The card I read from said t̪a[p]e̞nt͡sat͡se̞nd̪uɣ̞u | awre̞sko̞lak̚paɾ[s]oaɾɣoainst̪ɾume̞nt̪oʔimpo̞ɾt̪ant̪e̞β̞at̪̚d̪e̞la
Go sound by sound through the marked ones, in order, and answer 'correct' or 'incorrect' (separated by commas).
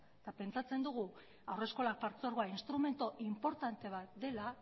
correct, incorrect